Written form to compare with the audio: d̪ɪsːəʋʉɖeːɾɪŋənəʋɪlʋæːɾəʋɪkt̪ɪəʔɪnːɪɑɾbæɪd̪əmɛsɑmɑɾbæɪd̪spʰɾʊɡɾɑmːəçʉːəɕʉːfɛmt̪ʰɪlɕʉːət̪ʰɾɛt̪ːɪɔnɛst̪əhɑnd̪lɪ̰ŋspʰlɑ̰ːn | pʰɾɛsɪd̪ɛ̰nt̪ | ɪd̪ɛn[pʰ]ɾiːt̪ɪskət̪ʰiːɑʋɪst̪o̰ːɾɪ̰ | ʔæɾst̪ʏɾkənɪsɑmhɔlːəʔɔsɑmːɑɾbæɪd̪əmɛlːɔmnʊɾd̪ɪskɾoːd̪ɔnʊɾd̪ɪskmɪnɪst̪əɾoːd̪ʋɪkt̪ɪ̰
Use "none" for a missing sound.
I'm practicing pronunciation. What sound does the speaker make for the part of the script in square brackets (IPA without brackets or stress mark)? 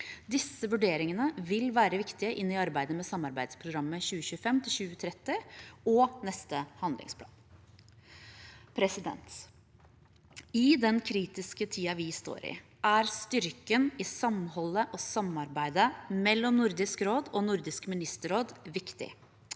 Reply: kʰ